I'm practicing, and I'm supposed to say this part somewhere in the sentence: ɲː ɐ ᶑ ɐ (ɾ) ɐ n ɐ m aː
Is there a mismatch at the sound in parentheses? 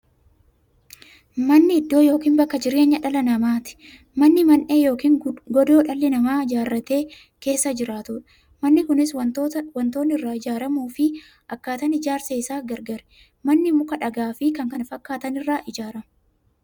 yes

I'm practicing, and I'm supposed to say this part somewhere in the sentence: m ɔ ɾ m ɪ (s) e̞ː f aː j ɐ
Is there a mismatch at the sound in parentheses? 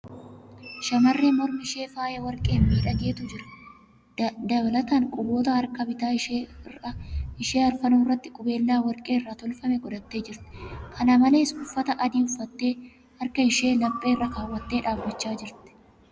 yes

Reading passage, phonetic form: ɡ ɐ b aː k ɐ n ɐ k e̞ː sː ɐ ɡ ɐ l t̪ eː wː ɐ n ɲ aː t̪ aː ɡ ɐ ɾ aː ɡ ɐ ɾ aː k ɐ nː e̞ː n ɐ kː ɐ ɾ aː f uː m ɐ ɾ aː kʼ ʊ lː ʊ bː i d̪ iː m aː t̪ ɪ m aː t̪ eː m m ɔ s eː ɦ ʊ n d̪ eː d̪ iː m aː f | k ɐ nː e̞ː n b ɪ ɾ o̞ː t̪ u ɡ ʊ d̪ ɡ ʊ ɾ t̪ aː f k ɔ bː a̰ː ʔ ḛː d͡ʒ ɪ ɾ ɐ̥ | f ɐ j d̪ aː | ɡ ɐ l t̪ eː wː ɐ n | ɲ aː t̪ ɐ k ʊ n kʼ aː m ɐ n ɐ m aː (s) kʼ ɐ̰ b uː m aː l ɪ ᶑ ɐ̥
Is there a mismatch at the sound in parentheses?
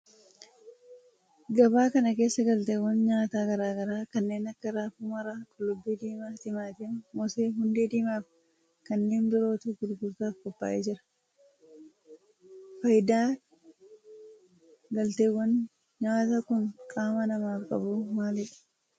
yes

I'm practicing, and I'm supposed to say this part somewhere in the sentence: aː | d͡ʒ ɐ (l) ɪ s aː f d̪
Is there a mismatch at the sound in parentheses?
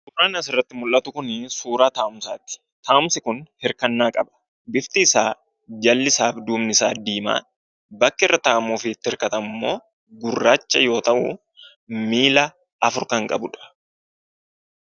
yes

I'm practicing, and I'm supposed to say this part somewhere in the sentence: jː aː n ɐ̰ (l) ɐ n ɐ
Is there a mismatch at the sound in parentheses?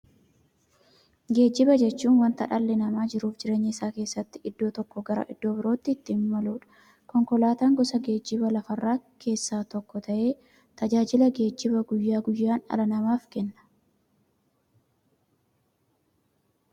no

